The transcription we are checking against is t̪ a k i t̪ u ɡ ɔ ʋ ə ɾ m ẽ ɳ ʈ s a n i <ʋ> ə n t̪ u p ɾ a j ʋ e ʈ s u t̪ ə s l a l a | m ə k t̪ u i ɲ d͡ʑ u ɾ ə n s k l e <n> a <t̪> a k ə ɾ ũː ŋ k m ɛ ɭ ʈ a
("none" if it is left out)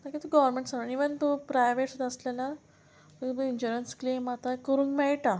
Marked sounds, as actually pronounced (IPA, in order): ʋ, m, t̪

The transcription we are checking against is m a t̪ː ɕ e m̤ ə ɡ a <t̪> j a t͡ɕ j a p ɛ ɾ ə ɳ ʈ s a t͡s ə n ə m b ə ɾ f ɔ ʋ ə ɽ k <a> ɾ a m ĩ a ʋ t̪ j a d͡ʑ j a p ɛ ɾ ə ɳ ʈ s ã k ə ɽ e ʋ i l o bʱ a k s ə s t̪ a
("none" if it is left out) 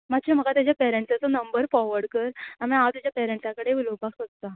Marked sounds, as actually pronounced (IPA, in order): t̪, ə

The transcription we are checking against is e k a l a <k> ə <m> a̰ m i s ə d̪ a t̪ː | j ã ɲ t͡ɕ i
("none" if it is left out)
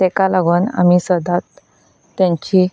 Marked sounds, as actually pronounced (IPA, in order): ɡ, n

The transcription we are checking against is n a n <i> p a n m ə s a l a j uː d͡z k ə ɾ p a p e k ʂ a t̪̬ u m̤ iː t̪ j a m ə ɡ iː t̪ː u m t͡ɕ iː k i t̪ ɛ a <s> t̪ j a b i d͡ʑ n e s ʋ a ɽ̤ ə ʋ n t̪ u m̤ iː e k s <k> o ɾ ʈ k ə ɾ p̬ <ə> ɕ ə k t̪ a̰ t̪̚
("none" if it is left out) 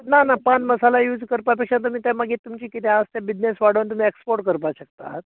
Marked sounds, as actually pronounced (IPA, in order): a, s, p, a

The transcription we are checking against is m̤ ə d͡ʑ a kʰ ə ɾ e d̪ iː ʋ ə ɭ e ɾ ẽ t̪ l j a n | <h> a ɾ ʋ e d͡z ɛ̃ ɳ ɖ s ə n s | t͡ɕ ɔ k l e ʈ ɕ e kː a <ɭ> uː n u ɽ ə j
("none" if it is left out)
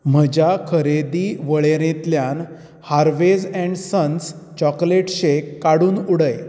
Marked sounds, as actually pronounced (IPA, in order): h, ɽ

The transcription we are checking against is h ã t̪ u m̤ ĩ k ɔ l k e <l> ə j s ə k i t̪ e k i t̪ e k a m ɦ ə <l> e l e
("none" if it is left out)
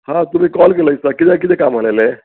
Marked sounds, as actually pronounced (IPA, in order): l, l

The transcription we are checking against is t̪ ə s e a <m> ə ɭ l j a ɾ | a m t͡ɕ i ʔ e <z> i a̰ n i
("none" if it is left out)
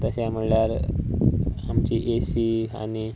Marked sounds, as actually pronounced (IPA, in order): m, s

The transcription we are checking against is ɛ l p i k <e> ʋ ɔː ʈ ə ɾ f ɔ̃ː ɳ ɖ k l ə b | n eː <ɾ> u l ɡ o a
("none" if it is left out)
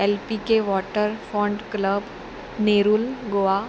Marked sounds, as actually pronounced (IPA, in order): e, ɾ

